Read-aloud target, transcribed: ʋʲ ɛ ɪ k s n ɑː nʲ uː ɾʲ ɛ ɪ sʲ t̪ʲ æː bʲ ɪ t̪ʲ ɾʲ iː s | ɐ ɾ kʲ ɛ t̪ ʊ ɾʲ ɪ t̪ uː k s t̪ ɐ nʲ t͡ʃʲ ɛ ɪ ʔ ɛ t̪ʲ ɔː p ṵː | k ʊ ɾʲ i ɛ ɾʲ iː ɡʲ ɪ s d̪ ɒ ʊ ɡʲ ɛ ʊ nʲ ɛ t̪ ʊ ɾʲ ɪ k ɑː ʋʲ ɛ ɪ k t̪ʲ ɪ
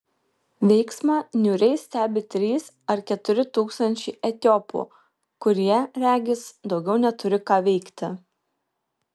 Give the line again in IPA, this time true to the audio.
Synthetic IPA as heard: ʋʲ ɛ ɪ k s m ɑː nʲ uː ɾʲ ɛ ɪ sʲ t̪ʲ æː bʲ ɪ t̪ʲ ɾʲ iː s | ɐ ɾ kʲ ɛ t̪ ʊ ɾʲ ɪ t̪ uː k s t̪ ɐ nʲ t͡ʃʲ ɛ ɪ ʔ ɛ t̪ʲ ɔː p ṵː | k ʊ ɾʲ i ɛ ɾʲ æː ɡʲ ɪ s d̪ ɒ ʊ ɡʲ ɛ ʊ nʲ ɛ t̪ ʊ ɾʲ ɪ k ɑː ʋʲ ɛ ɪ k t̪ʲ ɪ

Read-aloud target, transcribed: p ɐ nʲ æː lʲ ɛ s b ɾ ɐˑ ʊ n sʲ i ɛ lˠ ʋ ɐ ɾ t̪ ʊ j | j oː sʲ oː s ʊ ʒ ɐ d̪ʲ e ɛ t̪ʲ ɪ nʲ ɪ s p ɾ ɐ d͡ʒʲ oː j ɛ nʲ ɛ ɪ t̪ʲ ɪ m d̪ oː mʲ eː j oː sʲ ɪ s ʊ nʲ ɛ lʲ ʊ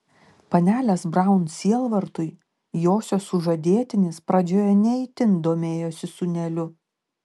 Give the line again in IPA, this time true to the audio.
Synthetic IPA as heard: p ɐ nʲ æː lʲ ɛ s b ɾ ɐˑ ʊ n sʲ i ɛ lˠ ʋ ɐ ɾ t̪ ʊ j | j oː sʲ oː s ʊ ʒ ɐ d̪ʲ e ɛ t̪ʲ ɪ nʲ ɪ s p ɾ ɐ d͡ʒʲ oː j ɛ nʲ ɛ ɪ t̪ʲ ɪ n d̪ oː mʲ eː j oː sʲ ɪ s ʊ nʲ ɛ lʲ ʊ

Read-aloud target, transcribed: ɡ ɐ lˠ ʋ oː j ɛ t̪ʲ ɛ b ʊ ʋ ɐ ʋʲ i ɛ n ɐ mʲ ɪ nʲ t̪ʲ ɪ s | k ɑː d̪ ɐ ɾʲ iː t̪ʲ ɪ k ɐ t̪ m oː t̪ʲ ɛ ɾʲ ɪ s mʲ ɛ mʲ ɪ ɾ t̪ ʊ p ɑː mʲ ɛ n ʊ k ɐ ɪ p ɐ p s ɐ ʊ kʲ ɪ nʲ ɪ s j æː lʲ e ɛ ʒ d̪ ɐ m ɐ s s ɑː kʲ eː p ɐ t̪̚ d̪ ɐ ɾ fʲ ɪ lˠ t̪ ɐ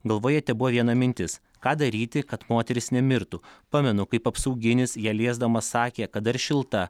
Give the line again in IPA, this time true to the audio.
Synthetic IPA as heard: ɡ ɐ lˠ ʋ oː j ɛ t̪ʲ ɛ b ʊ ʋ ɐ ʋʲ i ɛ n ɐ mʲ ɪ nʲ t̪ʲ ɪ s | k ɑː d̪ ɐ ɾʲ iː t̪ʲ ɪ k ɐ t̪ m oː t̪ʲ ɛ ɾʲ ɪ s nʲ ɛ mʲ ɪ ɾ t̪ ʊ p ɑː mʲ ɛ n ʊ k ɐ ɪ p ɐ p s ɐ ʊ ɡʲ ɪ nʲ ɪ s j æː lʲ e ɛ z d̪ ɐ m ɐ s s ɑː kʲ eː k ɐ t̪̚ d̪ ɐ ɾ ʃʲ ɪ lˠ t̪ ɐ

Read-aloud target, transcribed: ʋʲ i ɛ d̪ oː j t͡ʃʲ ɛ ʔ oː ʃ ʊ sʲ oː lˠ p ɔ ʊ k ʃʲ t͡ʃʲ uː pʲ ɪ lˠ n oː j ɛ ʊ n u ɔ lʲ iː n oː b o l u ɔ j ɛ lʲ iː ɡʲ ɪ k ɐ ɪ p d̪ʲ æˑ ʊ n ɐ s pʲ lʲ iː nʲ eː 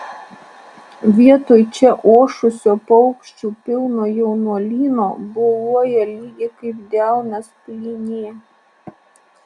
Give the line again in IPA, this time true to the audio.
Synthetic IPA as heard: ʋʲ i ɛ t̪ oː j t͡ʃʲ ɛ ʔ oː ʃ ʊ sʲ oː p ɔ ʊ k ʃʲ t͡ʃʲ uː pʲ ɪ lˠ n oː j ɛ ʊ n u ɔ lʲ iː n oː b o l u ɔ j ɛ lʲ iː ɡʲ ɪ k ɐ ɪ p d̪ʲ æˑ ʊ n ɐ s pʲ lʲ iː nʲ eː

